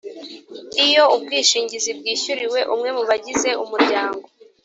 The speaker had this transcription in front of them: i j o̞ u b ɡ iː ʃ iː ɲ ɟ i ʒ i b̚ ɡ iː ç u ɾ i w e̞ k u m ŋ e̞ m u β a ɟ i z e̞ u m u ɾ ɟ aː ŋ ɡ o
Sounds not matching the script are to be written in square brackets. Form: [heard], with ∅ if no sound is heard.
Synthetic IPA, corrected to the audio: i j o̞ u b ɡ iː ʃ iː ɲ ɟ i [z] i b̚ ɡ iː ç u ɾ i w e̞ [ʔ] u m ŋ e̞ m u β a ɟ i z e̞ u m u ɾ ɟ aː ŋ ɡ o